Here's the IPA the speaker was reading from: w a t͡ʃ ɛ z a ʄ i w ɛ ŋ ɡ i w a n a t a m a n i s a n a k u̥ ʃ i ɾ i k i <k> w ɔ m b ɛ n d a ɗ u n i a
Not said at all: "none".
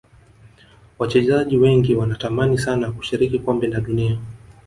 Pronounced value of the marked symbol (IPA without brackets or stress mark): k